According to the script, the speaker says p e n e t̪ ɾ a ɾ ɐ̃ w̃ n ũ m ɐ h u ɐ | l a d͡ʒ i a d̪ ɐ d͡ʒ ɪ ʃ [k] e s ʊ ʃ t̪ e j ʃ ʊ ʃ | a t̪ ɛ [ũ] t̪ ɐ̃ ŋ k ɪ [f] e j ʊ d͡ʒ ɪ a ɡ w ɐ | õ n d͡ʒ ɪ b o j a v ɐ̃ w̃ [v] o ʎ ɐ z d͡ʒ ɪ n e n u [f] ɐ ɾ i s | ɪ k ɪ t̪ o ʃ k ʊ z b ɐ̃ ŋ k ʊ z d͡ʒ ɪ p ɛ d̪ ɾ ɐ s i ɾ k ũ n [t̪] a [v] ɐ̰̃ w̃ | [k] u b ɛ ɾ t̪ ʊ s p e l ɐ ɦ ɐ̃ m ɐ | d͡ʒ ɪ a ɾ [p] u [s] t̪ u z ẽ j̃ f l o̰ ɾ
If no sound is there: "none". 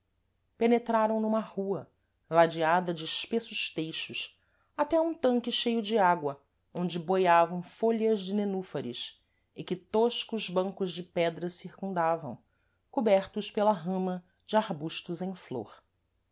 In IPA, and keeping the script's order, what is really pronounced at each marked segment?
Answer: p, ũ, ʃ, f, f, d̪, v, k, b, ʃ

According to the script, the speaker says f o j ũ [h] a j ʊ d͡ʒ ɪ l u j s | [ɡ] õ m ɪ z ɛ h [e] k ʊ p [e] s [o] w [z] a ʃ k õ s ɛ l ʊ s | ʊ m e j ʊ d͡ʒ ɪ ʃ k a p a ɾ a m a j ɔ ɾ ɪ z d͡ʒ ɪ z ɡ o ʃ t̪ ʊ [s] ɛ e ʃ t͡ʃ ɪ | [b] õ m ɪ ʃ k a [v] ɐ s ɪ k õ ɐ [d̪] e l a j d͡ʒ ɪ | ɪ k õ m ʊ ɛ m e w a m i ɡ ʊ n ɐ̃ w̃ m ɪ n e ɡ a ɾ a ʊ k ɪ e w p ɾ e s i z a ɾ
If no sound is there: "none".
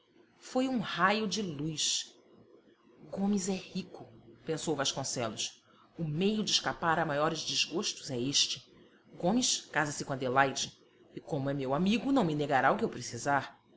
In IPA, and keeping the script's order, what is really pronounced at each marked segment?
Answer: h, ɡ, i, ẽ, o, v, z, ɡ, z, d̪

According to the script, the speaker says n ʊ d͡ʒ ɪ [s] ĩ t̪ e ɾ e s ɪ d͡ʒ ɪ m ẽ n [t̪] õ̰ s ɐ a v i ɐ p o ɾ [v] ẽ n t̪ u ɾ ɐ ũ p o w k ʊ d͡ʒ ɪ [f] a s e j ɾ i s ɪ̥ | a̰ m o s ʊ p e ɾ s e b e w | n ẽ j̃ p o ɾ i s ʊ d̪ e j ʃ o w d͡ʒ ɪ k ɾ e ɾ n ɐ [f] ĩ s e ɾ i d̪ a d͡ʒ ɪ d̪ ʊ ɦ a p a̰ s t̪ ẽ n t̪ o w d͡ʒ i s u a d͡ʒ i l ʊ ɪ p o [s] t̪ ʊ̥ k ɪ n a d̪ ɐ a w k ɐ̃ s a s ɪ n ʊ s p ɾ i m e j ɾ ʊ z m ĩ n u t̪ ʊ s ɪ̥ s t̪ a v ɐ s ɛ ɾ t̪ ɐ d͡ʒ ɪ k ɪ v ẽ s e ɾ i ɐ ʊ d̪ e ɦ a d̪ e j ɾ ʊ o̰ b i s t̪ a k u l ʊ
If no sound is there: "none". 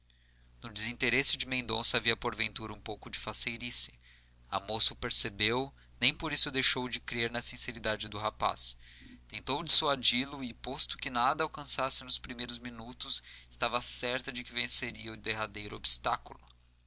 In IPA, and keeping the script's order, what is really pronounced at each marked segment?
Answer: z, d̪, v, f, s, s

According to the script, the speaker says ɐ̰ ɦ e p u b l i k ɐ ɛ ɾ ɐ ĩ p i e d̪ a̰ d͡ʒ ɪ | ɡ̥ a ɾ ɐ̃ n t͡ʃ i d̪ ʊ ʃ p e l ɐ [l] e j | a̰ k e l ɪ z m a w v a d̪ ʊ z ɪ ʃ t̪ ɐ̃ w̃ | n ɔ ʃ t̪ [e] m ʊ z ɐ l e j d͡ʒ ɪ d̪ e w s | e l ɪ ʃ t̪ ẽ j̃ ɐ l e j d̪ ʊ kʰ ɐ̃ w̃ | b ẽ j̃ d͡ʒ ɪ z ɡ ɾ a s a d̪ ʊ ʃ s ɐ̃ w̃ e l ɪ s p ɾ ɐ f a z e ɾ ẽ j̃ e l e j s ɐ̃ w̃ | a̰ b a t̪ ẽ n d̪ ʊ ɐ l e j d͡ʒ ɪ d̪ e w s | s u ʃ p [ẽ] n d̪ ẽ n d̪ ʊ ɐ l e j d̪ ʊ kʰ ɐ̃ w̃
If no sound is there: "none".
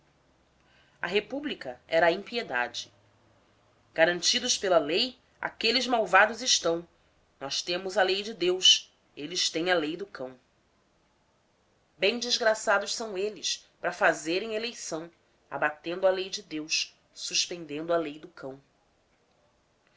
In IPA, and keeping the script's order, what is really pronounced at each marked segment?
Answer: l, ẽ, ẽ

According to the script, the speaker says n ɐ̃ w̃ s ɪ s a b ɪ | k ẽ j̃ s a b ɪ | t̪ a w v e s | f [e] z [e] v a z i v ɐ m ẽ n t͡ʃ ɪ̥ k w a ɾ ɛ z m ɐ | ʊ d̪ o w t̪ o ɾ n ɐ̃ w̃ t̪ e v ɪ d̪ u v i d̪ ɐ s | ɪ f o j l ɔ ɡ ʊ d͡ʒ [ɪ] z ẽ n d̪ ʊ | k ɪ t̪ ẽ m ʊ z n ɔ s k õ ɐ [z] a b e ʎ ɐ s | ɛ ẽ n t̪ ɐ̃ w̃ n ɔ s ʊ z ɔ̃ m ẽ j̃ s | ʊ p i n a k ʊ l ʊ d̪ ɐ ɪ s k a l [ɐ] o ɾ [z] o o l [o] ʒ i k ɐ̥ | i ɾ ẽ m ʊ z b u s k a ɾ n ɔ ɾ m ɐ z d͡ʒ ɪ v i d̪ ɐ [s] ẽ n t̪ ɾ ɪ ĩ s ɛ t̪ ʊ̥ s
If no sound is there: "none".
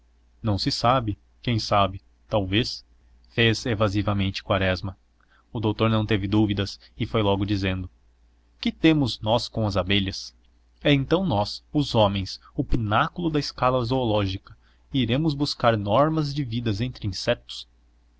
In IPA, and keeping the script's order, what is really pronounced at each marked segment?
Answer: e, e, i, z, ɐ, z, ɔ, z

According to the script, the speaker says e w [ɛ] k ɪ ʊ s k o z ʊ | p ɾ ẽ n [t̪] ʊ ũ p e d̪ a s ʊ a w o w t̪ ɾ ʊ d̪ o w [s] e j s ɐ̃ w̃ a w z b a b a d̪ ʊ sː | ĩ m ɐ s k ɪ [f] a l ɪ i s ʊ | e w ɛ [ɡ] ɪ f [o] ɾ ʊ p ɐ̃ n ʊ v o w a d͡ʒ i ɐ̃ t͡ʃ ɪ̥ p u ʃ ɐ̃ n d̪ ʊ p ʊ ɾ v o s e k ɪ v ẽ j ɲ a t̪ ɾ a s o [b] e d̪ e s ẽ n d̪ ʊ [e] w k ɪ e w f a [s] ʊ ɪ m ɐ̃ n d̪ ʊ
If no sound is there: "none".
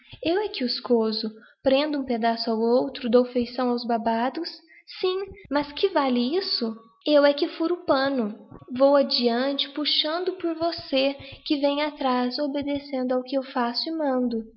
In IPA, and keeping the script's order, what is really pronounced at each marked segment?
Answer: ɛ, d̪, f, v, k, u, b, a, s

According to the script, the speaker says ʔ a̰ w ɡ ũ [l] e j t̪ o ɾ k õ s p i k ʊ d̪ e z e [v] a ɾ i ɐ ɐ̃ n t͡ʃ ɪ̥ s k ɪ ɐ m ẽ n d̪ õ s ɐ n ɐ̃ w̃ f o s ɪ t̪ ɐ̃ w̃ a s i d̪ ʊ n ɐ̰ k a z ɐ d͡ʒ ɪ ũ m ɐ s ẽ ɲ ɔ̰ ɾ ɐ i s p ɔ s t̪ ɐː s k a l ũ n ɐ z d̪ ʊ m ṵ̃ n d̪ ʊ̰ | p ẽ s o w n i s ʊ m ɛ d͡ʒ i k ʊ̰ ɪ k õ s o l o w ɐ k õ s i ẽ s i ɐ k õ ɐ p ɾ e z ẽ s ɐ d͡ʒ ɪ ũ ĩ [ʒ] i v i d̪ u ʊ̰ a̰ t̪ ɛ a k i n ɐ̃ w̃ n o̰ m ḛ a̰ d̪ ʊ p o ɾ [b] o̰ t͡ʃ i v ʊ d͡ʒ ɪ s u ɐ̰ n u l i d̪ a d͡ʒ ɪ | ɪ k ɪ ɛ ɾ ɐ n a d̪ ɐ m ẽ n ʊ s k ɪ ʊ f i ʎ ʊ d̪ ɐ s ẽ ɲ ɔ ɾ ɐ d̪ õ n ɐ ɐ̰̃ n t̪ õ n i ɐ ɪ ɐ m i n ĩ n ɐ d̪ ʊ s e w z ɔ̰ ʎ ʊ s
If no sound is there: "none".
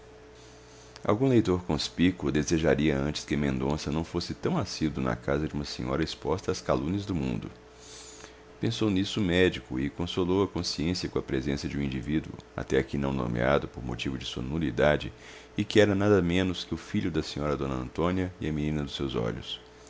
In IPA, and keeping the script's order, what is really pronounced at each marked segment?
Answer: l, ʒ, d͡ʒ, m

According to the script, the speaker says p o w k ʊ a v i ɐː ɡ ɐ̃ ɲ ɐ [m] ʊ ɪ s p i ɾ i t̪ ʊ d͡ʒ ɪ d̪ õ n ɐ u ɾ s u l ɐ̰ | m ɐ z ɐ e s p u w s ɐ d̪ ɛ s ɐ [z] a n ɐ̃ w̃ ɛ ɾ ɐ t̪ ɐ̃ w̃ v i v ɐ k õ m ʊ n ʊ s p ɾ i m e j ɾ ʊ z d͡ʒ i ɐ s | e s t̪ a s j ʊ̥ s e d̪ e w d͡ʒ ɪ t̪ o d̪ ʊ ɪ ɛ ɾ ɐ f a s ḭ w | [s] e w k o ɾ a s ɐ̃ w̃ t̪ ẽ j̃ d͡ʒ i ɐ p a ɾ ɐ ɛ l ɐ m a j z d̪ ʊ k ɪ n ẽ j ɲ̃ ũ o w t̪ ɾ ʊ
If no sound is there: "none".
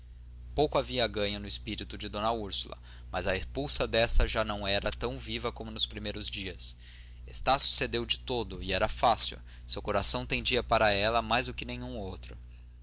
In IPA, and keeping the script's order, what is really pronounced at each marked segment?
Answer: n, ʒ, s

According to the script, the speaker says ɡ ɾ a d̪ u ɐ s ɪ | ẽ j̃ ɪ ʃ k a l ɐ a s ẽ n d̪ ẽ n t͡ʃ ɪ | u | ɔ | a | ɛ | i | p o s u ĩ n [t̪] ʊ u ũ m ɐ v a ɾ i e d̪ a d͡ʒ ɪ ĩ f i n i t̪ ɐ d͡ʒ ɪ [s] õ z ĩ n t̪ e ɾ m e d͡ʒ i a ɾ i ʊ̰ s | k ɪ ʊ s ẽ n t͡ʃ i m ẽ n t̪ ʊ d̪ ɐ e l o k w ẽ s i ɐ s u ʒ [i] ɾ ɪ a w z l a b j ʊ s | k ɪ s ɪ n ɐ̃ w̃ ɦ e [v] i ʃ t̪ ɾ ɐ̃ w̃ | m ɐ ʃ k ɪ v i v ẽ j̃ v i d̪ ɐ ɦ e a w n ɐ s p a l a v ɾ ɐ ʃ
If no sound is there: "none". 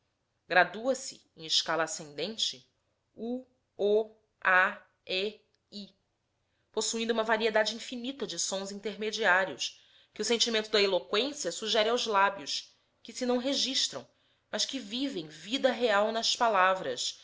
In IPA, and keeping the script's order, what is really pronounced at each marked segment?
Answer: d̪, s, ɛ, ʒ

